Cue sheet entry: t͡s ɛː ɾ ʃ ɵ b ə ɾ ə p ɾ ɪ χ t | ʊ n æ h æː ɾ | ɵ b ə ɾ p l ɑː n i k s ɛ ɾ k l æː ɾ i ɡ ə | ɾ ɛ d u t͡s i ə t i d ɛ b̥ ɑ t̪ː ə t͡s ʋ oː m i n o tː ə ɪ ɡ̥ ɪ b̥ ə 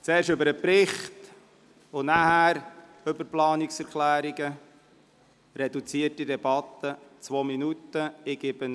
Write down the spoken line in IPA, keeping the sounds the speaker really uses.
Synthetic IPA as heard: t͡s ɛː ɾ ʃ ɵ b ə ɾ ə p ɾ ɪ χ t | ʊ n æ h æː ɾ | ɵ b ə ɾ p l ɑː n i k s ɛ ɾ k l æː ɾ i ɡ ə | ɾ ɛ d u t͡s i ə t i d ɛ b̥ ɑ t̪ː ə t͡s ʋ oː m i n u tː ə ɪ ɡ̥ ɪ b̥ ə